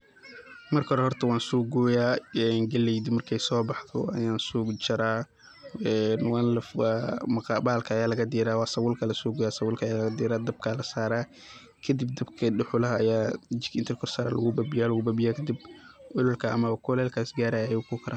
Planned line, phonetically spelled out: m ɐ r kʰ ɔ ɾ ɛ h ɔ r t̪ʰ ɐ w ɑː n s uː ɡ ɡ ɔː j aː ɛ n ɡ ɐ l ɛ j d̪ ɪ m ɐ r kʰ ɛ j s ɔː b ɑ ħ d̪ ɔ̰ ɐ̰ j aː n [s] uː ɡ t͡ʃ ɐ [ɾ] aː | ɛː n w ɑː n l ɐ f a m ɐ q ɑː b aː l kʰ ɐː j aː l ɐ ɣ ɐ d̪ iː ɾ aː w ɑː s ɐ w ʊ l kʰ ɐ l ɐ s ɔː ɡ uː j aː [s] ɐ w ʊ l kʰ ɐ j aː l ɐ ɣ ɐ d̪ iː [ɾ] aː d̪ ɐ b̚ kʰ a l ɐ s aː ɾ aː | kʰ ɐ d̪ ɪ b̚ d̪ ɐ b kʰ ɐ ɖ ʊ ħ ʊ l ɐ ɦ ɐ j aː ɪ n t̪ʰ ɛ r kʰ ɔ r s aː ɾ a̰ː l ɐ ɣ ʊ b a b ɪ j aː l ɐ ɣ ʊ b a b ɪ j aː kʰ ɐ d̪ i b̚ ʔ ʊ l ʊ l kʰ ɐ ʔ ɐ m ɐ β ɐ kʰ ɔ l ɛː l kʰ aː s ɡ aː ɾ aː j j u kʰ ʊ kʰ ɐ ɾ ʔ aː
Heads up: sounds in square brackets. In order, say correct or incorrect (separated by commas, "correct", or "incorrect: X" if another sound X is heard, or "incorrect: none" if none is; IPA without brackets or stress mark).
correct, correct, correct, correct